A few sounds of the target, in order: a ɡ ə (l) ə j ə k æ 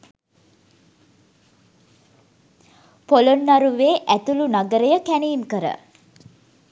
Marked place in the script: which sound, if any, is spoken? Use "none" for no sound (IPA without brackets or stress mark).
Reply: ɾ